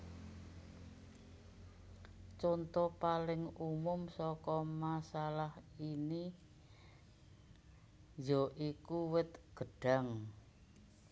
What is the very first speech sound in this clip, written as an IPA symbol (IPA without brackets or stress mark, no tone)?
t͡ʃ